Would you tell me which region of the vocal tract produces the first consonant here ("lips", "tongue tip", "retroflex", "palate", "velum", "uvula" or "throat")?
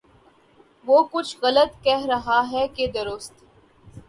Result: lips